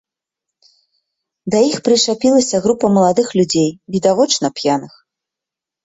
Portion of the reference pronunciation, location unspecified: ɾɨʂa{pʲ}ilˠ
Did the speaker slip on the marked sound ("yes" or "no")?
no